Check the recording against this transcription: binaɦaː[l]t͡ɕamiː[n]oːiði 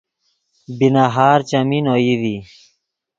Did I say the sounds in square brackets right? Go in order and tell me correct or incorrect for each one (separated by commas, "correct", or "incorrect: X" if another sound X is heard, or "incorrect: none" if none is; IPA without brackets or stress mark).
incorrect: ɾ, correct